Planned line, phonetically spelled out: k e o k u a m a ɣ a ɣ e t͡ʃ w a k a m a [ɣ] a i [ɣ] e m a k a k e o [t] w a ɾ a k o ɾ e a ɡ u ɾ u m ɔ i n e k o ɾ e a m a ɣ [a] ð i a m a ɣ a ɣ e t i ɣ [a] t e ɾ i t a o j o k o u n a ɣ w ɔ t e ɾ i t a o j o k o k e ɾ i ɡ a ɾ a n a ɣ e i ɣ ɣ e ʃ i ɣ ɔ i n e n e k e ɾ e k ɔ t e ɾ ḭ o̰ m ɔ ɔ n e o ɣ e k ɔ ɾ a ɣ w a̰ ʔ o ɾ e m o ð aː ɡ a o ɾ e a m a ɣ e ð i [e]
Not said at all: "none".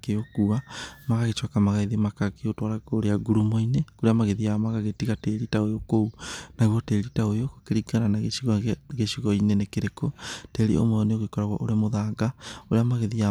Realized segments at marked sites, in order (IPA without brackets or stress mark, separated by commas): ɣ, ð, t, e, a, a